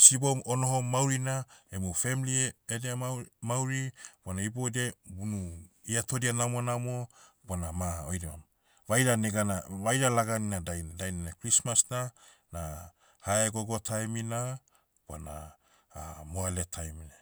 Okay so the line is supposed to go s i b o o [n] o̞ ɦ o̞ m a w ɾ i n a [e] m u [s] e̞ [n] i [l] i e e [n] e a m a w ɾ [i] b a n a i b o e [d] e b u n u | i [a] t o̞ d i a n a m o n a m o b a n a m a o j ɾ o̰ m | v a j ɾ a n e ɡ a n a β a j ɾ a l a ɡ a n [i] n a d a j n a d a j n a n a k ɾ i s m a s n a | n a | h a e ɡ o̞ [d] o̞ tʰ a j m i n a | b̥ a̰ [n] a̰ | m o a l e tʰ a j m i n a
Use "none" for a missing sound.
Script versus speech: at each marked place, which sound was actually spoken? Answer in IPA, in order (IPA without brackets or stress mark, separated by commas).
n, e, f, m, l, d, i, d, a, i, ɡ, n